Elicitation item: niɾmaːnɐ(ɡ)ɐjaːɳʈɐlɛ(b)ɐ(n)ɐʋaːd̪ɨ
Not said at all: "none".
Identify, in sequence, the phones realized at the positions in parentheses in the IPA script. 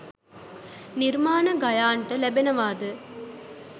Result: ɡ, b, n

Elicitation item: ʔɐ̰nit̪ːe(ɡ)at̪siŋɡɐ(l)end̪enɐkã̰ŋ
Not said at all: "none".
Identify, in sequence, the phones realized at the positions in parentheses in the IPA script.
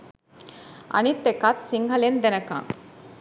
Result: k, l

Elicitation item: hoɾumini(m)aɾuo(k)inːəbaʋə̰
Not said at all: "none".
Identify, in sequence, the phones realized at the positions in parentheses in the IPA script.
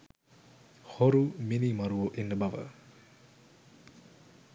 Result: m, ʔ

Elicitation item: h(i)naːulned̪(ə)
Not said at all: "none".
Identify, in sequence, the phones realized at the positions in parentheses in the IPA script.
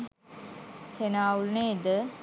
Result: e, ə

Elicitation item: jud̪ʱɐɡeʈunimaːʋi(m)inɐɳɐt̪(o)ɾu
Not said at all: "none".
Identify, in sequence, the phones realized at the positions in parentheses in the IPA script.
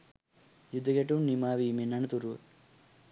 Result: m, u

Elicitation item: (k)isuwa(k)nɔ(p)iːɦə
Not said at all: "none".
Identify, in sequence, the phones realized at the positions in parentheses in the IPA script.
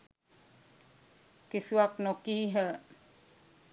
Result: k, k, k

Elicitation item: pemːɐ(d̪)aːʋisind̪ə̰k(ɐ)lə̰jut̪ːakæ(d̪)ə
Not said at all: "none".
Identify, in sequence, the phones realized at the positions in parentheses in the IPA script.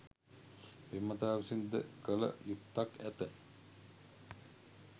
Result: t̪, ə, t̪

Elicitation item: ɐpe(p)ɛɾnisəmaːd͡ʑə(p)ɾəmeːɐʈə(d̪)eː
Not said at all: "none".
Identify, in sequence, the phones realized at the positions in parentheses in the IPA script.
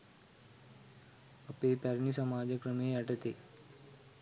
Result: p, k, t̪

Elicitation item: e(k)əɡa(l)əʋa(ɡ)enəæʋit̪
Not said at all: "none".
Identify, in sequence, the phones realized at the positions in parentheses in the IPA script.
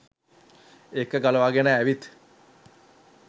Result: k, l, ɡ

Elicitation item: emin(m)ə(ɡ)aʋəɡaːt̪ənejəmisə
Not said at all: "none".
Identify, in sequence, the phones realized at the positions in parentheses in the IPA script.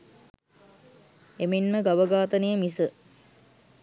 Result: m, ɡ

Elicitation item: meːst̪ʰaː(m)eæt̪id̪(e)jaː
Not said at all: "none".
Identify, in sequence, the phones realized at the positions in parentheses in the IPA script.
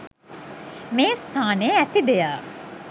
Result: n, e

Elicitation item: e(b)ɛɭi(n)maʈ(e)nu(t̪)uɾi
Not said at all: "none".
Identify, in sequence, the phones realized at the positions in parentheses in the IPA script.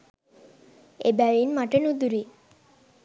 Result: b, n, e, d̪

